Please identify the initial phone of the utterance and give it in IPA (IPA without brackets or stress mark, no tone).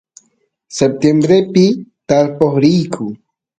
s